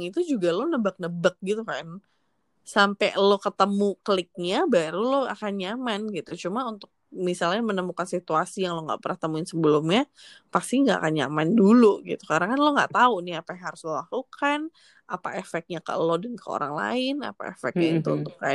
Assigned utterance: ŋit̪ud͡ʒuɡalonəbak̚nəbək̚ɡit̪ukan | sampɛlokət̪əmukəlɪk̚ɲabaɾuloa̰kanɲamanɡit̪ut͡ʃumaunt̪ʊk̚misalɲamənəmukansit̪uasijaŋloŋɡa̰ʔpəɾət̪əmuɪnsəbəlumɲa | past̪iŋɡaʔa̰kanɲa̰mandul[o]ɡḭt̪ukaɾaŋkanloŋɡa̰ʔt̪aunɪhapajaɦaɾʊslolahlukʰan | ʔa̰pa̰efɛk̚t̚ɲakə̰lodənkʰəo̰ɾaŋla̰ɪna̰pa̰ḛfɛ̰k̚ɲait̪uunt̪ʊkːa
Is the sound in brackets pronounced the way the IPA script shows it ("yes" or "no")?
no